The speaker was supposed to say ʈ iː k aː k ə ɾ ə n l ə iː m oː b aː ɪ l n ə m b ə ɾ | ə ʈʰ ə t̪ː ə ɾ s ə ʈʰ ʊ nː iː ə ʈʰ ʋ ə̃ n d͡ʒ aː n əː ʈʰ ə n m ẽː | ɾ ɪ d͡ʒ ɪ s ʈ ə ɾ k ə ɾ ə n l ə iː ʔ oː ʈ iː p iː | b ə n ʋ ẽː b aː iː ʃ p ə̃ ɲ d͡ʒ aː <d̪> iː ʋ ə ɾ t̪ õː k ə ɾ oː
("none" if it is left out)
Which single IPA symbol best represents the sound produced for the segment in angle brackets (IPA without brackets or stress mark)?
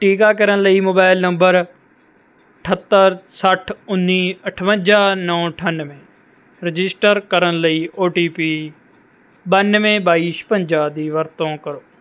d̪